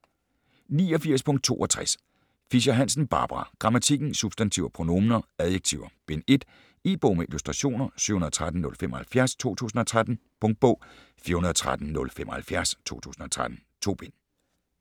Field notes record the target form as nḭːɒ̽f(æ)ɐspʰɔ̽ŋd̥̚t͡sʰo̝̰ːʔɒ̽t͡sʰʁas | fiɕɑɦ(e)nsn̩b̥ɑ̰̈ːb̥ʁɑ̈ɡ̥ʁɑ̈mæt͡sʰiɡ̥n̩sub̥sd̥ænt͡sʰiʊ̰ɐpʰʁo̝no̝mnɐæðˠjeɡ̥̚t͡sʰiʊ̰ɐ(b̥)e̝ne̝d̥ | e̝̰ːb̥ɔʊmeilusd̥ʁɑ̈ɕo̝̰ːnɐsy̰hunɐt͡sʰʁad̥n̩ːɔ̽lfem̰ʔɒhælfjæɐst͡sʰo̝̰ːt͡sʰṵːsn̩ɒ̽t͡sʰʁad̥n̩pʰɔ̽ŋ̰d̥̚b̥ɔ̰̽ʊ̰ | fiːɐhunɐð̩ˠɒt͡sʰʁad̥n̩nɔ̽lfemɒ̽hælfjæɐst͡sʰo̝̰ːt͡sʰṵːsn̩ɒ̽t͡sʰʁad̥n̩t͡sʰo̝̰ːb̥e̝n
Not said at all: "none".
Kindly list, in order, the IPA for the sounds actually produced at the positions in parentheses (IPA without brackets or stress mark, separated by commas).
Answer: i, æ, b̥